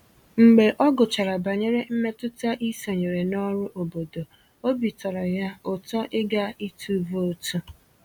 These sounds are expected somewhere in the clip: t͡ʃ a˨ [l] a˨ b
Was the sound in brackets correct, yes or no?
no